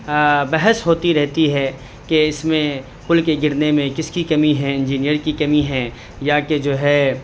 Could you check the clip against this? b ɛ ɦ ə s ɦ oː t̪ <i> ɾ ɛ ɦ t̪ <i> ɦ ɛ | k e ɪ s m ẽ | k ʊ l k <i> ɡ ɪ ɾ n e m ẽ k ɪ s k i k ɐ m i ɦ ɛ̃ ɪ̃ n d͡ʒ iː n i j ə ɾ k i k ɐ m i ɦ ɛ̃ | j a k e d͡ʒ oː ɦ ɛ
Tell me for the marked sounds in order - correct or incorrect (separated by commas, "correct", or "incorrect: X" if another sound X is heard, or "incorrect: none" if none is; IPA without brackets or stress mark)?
correct, correct, incorrect: e